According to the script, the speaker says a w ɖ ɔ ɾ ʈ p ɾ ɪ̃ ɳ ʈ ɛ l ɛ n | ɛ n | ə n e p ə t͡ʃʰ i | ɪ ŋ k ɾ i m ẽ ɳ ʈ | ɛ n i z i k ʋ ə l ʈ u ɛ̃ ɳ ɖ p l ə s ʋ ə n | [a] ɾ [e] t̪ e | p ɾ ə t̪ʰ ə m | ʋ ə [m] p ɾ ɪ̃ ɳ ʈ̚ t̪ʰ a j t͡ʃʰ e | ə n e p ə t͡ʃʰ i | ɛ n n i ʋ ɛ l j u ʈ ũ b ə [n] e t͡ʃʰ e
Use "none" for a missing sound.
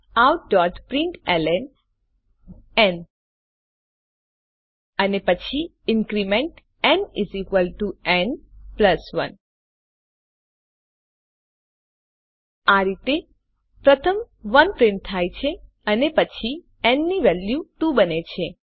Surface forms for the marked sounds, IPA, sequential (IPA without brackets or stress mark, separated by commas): a, i, n, n